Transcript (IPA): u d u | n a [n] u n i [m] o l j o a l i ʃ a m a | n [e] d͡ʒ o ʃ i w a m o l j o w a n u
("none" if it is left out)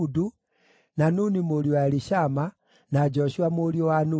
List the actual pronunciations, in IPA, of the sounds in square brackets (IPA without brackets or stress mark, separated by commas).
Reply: n, m, a